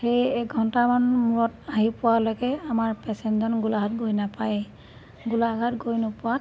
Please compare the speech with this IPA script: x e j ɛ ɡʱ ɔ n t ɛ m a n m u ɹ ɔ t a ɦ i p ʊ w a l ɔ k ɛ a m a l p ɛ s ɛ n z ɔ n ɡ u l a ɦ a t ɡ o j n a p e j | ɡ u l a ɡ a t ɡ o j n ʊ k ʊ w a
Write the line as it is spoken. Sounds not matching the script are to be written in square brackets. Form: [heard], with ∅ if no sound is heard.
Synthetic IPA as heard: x e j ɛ ɡʱ ɔ n t [a] m a n m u ɹ ɔ t a ɦ i p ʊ w a l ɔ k ɛ a m a [ɹ] p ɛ s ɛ n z ɔ n ɡ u l a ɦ a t ɡ o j n a p [a] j | ɡ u l a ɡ a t ɡ o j n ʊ [p] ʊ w a